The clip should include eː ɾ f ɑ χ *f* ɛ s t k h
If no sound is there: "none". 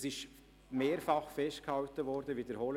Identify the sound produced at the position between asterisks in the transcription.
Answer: f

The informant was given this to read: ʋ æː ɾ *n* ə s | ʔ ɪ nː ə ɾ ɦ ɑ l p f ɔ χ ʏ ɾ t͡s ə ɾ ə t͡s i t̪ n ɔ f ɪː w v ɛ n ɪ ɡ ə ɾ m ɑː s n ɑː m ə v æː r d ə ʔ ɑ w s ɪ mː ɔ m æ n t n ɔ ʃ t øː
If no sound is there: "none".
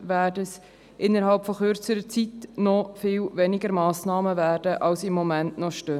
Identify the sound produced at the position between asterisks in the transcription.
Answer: d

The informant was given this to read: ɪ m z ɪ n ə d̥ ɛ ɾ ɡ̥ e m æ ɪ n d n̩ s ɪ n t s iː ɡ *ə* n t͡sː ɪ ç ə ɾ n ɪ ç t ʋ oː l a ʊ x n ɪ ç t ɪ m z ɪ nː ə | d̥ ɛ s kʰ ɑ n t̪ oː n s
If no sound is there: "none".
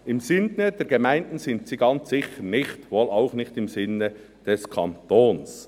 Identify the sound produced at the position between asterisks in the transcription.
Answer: ɑ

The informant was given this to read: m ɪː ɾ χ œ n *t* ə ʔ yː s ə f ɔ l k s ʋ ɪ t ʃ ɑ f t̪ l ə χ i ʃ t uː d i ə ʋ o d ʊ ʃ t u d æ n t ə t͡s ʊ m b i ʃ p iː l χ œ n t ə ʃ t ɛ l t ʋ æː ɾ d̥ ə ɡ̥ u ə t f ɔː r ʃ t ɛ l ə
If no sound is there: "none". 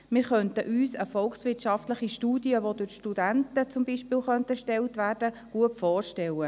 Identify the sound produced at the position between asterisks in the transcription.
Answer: t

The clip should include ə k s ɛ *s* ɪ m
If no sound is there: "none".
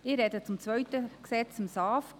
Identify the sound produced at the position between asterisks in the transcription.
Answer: t͡s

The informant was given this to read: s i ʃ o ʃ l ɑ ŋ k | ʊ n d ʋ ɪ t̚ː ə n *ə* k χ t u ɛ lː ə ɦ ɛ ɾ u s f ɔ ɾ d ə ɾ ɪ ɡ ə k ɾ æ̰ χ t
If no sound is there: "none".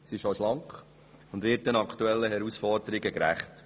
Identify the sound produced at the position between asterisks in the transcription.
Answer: ɑ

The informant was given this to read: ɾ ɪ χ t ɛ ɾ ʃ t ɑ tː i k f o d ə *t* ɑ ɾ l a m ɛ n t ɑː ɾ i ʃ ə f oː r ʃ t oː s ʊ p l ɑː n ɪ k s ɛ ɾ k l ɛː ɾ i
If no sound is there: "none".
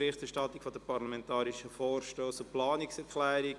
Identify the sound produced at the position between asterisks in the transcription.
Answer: p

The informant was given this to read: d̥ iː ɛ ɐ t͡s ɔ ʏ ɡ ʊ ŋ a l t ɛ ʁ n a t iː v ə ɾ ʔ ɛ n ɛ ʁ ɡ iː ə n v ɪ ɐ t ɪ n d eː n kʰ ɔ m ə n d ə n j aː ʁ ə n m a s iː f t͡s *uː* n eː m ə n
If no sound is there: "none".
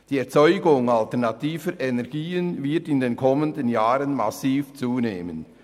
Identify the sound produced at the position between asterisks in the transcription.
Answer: uː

